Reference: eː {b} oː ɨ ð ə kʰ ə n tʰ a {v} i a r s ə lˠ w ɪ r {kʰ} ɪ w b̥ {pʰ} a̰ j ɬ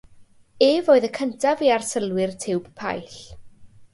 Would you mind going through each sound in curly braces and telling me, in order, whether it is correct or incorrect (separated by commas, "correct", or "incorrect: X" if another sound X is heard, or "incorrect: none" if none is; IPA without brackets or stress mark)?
incorrect: v, correct, incorrect: tʰ, correct